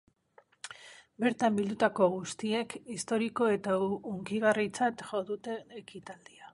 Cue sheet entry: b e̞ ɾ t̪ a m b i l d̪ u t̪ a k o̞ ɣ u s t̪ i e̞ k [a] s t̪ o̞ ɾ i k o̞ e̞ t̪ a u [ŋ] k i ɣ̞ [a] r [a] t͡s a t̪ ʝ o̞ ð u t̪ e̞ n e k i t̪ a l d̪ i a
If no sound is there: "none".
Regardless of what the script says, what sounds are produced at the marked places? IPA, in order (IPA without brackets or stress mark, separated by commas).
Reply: i, ŋ, a, i